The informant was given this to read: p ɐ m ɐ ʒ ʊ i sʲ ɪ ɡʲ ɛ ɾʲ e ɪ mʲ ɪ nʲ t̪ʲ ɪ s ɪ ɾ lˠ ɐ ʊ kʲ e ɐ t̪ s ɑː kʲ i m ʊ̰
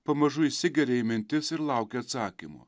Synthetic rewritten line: p ɐ m ɐ ʒ ʊ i sʲ ɪ ɡʲ ɛ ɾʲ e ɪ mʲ ɪ nʲ t̪ʲ ɪ s ɪ ɾ lˠ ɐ ʊ kʲ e ɐ t̪ s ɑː kʲ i m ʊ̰